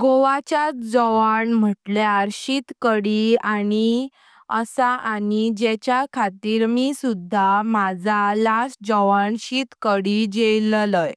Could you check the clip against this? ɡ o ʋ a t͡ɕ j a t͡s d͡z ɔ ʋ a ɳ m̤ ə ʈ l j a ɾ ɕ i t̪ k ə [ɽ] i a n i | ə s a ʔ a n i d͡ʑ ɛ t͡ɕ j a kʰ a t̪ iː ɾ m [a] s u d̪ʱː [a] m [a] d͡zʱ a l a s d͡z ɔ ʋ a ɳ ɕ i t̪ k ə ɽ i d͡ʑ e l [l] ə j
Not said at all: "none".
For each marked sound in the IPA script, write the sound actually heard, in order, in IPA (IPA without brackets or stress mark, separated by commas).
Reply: ɽ, i, a, a, l